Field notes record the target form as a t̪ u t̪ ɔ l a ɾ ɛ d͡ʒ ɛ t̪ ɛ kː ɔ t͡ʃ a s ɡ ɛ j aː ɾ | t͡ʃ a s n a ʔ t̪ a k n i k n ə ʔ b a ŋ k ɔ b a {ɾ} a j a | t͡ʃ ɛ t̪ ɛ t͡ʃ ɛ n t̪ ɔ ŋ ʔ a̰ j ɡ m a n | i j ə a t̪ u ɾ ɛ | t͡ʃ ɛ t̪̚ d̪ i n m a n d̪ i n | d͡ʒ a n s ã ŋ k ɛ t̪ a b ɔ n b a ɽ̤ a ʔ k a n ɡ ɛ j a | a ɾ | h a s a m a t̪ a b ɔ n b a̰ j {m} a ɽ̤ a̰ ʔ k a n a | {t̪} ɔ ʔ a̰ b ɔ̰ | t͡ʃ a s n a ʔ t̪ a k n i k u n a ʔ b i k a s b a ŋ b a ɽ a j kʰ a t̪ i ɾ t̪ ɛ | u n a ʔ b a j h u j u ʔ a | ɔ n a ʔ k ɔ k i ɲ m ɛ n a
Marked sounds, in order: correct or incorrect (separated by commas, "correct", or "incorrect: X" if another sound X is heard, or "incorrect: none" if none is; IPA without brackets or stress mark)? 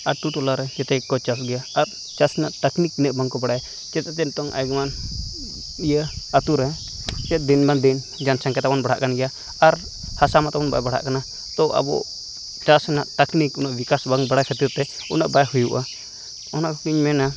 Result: incorrect: ɽ, incorrect: b, correct